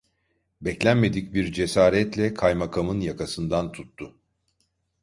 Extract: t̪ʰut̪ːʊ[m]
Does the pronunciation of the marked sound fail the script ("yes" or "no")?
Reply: yes